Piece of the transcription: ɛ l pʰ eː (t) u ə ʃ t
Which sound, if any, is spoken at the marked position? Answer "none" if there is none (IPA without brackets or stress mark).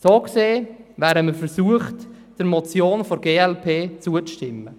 t͡s